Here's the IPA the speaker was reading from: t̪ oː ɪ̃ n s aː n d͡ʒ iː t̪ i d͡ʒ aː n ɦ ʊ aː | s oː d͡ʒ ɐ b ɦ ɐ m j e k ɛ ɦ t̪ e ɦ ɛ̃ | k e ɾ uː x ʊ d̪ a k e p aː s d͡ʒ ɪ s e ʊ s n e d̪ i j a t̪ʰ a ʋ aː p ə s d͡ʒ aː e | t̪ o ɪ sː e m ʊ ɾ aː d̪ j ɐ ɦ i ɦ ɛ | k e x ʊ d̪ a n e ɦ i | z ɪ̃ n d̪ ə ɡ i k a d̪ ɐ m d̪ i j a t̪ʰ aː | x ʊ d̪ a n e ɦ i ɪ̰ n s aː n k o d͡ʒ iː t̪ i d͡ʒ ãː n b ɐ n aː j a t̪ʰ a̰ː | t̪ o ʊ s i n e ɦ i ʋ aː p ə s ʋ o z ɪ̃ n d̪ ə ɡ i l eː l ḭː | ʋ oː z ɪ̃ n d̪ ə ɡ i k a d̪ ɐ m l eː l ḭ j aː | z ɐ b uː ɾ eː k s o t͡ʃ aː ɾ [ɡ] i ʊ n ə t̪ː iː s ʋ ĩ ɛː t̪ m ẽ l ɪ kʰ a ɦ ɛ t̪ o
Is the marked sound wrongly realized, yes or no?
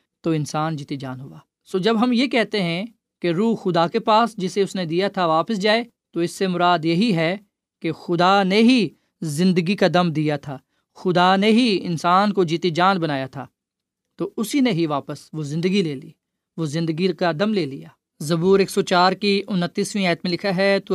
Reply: yes